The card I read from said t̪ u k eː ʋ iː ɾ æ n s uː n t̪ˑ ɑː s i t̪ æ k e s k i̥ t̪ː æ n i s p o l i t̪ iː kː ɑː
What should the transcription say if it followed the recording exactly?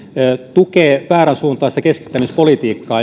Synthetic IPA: t̪ u k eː ʋ æː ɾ æ n s uː n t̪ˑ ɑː s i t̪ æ k e s k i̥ t̪ː æ m i s p o l i t̪ iː kː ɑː